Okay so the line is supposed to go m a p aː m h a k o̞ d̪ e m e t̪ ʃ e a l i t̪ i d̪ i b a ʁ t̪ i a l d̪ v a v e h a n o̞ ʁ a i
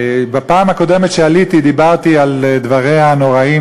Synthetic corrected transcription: b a p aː m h a k o̞ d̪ e m e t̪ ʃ e a l i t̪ i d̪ i b a ʁ t̪ i a l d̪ v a ʁ e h a n o̞ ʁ a i